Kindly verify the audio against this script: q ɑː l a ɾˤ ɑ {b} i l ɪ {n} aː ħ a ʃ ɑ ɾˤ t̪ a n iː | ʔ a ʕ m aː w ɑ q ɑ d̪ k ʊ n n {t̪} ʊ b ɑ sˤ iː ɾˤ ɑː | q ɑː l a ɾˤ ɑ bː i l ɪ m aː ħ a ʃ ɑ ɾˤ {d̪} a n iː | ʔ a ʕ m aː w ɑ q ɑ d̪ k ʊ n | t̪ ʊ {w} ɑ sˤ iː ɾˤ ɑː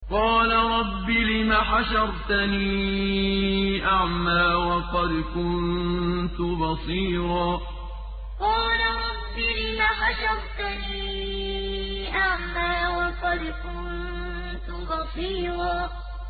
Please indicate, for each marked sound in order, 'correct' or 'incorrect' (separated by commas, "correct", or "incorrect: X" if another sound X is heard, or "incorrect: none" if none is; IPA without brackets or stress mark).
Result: incorrect: bː, incorrect: m, correct, incorrect: t̪, incorrect: b